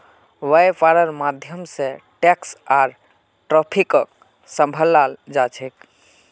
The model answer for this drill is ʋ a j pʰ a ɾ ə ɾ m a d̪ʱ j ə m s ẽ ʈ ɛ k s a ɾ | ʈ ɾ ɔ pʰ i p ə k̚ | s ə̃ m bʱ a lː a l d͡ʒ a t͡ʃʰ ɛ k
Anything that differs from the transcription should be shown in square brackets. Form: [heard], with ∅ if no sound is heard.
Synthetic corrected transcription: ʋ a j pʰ a ɾ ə ɾ m a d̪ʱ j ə m s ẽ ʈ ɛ k s a ɾ | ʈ ɾ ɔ pʰ i [k] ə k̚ | s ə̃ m bʱ [ə] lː a l d͡ʒ a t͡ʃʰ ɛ k